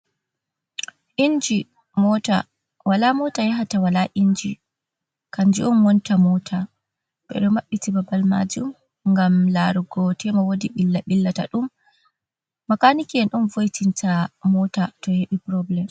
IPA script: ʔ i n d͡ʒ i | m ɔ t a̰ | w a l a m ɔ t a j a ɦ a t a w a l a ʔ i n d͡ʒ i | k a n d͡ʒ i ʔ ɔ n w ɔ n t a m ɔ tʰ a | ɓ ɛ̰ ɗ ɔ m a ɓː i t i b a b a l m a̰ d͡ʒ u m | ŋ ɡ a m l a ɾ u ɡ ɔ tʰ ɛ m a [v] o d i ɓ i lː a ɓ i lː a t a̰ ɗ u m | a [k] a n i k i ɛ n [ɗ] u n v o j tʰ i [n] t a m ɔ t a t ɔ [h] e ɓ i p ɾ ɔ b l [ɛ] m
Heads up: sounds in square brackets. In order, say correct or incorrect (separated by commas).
incorrect, correct, correct, correct, correct, correct